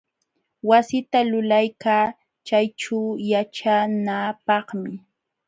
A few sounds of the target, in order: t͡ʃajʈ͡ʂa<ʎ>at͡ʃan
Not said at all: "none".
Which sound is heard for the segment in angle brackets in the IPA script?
j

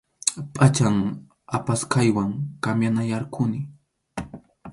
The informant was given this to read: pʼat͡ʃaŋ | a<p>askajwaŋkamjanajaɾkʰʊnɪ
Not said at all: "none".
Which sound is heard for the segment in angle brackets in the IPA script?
p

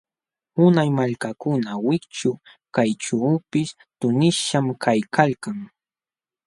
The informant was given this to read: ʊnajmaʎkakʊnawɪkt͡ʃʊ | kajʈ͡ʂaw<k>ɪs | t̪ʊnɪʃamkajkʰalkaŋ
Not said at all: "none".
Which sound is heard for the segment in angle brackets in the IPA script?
p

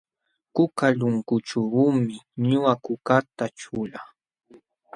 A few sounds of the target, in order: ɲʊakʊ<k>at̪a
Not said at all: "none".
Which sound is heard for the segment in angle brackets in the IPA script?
k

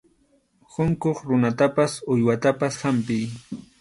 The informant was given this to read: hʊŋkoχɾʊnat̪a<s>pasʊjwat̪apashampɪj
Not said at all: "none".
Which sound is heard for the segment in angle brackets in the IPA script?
none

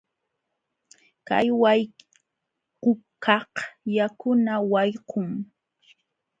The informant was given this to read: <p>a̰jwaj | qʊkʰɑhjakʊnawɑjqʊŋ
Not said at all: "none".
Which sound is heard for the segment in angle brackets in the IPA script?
k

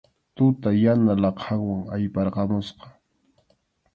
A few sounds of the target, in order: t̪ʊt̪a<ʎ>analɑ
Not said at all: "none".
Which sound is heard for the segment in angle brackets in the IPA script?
j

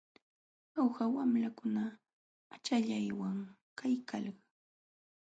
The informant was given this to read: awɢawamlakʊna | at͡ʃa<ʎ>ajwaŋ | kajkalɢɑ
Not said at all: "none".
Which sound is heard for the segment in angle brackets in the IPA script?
ʎ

